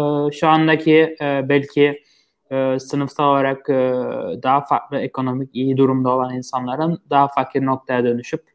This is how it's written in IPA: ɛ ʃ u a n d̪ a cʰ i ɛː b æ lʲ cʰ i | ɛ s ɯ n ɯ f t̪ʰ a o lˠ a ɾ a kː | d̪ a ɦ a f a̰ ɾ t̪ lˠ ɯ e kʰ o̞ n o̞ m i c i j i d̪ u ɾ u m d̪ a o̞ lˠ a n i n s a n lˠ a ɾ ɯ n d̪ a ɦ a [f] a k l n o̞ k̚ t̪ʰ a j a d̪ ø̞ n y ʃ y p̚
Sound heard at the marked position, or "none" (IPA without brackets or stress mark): f